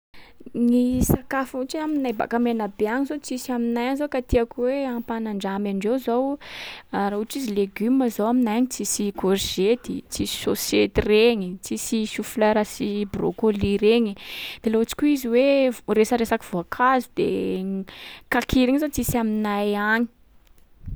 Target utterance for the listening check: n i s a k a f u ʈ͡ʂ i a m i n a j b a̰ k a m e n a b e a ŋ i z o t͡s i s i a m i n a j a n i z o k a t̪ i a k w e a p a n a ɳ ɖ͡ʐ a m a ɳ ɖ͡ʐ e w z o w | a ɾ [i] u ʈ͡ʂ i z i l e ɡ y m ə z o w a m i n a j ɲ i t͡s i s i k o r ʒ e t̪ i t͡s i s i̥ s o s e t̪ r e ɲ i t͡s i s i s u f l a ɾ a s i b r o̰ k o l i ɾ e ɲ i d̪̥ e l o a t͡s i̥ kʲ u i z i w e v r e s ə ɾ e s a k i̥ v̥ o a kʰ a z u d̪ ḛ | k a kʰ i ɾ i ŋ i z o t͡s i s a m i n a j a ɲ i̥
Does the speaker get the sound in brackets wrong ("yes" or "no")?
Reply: yes